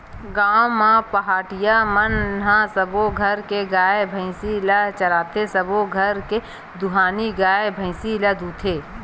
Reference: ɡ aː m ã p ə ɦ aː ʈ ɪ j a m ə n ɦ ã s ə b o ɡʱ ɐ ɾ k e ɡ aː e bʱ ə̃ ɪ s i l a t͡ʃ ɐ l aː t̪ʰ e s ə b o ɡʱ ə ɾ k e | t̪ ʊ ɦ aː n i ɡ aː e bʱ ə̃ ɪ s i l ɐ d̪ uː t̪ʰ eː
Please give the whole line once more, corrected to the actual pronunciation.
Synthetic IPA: ɡ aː m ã p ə ɦ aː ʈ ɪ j a m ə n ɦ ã s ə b o ɡʱ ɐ ɾ k e ɡ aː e bʱ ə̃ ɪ s i l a t͡ʃ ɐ l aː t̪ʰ e s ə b o ɡʱ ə ɾ k e | d̪ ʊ ɦ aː n i ɡ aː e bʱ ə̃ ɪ s i l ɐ d̪ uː t̪ʰ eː